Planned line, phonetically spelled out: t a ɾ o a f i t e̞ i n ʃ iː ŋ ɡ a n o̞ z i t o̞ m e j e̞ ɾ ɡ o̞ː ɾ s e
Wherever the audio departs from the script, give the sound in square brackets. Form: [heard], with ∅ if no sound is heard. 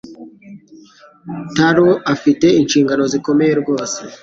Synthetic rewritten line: t a ɾ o a f i t e̞ i n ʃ iː ŋ ɡ a n o̞ z i [k] o̞ m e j e̞ ɾ ɡ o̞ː [∅] s e